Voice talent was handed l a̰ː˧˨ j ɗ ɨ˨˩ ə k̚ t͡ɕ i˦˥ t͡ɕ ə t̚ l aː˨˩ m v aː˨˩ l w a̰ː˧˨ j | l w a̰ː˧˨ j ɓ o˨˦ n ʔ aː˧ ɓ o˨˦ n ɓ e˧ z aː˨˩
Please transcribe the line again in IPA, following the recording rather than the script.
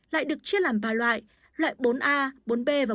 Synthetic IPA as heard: l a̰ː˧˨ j ɗ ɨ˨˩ ə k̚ t͡ɕ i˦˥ ə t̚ l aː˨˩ m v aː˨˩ l w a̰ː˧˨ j | l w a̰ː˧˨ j ɓ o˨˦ n ʔ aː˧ ɓ o˨˦ n ɓ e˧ v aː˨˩